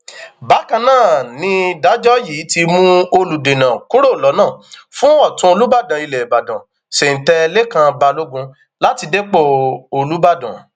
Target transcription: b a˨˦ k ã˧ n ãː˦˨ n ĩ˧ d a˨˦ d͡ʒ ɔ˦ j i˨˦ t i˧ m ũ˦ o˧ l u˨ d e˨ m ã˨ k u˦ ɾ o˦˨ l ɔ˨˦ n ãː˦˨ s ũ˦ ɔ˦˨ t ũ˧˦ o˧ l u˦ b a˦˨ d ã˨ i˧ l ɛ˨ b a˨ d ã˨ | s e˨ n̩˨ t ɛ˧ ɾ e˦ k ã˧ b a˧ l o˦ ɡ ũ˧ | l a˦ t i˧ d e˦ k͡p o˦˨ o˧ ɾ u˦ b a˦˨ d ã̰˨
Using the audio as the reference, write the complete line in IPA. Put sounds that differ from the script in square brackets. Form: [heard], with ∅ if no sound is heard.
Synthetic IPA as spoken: b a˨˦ k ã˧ n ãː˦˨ n ĩ˧ d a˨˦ d͡ʒ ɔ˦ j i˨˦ t i˧ m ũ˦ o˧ l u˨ d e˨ [n] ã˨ k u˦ ɾ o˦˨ l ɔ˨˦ n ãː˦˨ [f] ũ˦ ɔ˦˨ t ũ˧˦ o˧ l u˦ b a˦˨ d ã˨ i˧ l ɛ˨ b a˨ d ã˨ | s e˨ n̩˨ t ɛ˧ [l] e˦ k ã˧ b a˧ l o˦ ɡ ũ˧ | l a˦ t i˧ d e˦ k͡p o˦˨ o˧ [l] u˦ b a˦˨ d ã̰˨